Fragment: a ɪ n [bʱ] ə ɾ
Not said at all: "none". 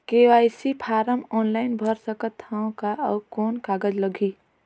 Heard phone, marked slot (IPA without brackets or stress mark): bʱ